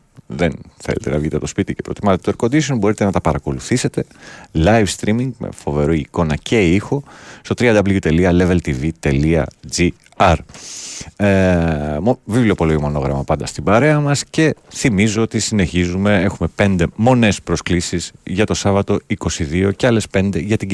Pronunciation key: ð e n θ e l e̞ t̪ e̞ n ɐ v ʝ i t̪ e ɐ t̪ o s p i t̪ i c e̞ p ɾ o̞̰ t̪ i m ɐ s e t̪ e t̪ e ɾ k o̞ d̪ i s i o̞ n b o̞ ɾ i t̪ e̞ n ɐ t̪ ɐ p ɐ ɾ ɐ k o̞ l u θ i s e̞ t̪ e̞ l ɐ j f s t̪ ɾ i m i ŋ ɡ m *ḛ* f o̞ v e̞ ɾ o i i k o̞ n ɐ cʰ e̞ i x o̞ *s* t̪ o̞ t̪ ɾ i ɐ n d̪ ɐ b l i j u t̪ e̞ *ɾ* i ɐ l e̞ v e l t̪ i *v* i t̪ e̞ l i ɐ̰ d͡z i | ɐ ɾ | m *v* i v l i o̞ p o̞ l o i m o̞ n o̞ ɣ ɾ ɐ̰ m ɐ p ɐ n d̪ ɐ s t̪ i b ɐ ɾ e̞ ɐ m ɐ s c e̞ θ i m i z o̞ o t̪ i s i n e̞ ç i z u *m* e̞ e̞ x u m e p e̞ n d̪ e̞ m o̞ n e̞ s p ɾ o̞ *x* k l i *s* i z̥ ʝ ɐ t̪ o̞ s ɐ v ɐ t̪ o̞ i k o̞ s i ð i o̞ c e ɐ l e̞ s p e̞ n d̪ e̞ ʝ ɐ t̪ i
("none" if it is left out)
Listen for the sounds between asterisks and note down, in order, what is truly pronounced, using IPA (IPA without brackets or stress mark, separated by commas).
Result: ḛ, s, l, v, v, m, s, s